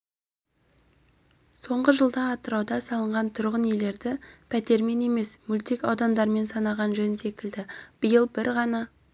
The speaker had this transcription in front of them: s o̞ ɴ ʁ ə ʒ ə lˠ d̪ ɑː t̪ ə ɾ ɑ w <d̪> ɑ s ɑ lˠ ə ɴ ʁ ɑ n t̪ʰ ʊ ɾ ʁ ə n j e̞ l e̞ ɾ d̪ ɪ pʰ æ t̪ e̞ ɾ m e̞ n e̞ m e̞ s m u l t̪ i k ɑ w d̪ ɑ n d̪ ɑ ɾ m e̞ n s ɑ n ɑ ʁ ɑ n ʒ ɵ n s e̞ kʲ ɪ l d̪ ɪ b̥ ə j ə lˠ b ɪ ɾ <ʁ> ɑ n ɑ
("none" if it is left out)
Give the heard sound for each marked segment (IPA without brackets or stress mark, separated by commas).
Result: d̪, ʁ